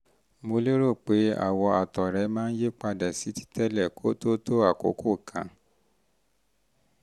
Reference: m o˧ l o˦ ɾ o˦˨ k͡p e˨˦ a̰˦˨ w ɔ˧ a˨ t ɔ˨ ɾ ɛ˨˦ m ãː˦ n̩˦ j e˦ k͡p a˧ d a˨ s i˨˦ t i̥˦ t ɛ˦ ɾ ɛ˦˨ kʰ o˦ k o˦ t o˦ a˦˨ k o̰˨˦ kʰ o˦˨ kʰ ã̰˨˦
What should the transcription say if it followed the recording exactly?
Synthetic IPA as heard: m o˧ l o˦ ɾ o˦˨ k͡p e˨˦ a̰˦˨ w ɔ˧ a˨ t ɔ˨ ɾ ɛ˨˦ m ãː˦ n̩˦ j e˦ k͡p a˧ d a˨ s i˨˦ t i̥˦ t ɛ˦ l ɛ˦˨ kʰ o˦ t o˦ t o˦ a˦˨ k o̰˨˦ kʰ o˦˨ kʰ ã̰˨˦